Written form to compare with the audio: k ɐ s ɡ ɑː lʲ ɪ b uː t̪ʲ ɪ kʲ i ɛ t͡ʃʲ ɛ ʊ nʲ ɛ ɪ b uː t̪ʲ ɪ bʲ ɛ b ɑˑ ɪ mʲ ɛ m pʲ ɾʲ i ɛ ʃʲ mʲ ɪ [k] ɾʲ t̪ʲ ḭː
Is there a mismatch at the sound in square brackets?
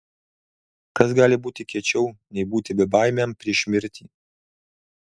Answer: yes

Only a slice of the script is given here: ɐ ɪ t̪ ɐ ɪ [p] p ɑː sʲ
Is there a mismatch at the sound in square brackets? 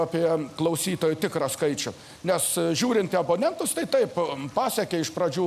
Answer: no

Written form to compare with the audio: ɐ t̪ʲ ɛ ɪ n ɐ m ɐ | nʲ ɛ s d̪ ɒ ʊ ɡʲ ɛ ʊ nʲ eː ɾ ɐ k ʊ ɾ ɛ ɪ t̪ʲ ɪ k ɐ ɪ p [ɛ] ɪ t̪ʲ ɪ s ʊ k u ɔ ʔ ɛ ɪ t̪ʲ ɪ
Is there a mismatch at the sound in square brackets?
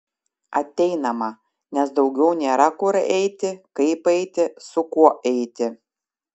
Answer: no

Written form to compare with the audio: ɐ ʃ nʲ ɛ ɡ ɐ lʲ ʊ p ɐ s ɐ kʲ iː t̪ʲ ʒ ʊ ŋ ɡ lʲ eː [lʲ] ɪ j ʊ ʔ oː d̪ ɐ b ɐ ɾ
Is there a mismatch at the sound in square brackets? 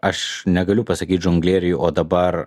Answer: yes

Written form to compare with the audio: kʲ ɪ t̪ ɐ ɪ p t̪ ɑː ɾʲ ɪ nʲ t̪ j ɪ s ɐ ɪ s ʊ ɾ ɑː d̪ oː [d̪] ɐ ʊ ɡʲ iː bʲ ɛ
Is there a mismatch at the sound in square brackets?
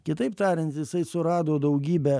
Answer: no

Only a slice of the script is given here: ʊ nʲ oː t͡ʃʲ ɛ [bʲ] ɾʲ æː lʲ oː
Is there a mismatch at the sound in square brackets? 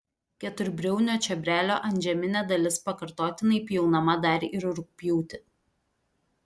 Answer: no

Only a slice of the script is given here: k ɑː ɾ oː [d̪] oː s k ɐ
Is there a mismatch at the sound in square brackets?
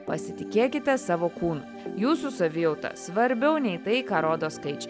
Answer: no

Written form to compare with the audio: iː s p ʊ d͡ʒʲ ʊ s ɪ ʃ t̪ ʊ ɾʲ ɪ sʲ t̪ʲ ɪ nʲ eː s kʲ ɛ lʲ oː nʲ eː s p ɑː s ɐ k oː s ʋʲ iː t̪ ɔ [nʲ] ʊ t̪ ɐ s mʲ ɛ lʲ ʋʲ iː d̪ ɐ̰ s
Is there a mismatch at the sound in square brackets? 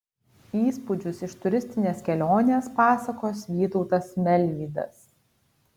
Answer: yes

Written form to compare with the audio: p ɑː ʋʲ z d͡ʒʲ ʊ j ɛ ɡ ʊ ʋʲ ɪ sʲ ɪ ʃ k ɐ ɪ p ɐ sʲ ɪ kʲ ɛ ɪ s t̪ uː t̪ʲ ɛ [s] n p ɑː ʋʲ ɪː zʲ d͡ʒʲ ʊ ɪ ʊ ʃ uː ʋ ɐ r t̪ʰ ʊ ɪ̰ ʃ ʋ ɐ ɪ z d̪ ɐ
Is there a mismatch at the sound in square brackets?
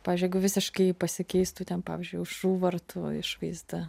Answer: yes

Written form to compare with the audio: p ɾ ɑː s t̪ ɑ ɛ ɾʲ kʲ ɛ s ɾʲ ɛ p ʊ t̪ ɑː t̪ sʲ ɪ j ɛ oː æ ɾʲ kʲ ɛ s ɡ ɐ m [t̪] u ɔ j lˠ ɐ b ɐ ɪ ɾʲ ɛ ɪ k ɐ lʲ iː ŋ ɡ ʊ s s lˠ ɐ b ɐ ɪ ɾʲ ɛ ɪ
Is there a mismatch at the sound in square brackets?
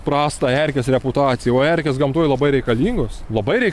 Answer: no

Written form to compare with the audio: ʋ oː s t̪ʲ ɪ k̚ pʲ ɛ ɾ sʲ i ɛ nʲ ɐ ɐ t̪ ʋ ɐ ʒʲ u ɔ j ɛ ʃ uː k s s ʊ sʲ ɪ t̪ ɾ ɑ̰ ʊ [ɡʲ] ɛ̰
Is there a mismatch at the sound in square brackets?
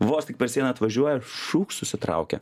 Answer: yes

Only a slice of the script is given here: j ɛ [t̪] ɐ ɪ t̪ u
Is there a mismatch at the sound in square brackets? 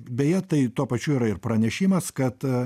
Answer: no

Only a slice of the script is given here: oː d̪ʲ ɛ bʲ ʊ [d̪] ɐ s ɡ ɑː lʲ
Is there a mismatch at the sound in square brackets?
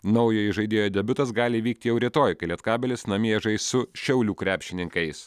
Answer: yes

